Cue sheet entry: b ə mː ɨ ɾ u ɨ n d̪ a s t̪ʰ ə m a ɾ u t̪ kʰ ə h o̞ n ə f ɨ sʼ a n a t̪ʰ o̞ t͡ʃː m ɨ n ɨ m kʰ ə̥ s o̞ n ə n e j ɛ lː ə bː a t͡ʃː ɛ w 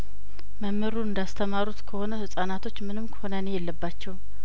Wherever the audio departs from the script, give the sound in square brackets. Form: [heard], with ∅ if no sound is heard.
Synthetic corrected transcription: [m] ə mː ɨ ɾ u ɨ n d̪ a s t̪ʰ ə m a ɾ u t̪ kʰ ə h o̞ n ə [h] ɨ sʼ a n a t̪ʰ o̞ t͡ʃː m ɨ n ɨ m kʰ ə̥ [h] o̞ n ə n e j ɛ lː ə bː a t͡ʃː ɛ w